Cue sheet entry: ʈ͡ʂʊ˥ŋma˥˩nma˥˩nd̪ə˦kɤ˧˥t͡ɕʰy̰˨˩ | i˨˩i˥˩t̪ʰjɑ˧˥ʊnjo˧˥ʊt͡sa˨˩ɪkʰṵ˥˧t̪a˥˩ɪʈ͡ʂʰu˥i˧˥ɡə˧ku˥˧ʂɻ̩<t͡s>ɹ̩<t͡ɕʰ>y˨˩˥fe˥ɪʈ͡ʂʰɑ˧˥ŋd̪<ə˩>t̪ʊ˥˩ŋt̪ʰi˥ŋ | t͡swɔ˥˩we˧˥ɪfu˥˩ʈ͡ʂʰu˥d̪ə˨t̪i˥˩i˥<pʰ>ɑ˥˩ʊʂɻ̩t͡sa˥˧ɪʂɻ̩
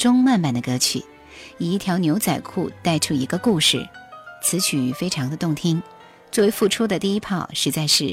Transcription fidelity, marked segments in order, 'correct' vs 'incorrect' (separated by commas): incorrect, correct, incorrect, correct